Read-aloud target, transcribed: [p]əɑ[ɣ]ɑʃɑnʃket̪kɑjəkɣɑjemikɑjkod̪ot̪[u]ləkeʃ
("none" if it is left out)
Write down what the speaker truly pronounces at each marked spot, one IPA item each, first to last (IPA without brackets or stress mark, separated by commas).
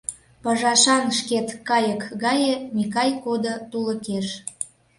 p, ʒ, u